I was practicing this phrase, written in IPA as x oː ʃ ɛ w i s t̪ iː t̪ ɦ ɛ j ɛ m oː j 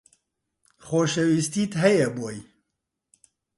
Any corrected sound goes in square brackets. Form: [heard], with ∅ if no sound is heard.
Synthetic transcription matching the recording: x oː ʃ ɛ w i s t̪ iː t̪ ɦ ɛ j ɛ [b] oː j